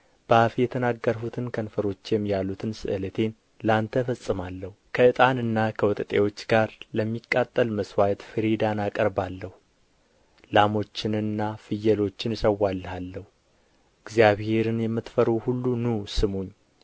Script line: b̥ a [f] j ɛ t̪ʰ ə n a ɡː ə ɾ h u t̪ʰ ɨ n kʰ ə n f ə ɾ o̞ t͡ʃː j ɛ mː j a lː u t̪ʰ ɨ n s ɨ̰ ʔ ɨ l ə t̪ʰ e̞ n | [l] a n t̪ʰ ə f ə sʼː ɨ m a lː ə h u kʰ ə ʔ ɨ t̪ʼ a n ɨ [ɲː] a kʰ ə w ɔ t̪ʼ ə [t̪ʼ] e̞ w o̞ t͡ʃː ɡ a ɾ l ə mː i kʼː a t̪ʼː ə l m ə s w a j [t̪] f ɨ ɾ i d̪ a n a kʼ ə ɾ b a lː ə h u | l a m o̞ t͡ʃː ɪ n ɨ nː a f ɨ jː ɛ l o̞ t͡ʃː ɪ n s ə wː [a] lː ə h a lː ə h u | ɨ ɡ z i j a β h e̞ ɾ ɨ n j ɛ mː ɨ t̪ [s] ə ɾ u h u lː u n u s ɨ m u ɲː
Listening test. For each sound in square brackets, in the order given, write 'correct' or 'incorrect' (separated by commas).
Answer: correct, correct, incorrect, correct, correct, correct, incorrect